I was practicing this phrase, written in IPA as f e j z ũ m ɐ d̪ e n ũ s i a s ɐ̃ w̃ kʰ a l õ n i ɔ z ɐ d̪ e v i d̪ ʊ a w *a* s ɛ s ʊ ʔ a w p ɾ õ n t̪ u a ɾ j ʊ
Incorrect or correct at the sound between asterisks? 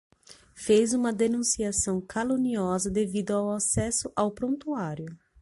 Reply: correct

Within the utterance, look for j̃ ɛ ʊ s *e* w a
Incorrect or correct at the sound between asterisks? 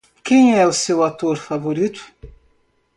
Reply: correct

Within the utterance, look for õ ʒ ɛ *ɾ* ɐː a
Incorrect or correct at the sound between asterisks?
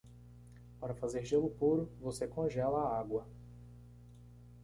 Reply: incorrect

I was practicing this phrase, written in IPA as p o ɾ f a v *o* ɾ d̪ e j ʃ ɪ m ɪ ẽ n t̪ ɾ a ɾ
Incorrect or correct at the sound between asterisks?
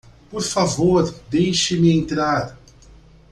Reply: correct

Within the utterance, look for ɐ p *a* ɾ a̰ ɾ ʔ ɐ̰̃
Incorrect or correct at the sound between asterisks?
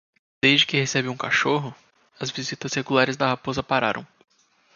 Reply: correct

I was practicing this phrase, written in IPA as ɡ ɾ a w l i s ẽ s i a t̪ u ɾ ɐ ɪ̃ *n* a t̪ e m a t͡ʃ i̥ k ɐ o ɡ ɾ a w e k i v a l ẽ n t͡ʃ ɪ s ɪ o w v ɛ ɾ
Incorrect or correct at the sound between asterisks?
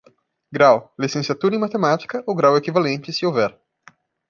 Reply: incorrect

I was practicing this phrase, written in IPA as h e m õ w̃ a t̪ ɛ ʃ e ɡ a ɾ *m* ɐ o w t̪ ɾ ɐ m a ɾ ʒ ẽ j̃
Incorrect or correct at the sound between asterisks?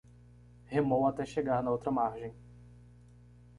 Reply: incorrect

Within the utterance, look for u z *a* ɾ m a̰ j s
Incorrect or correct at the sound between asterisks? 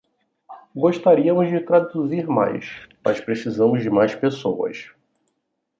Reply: incorrect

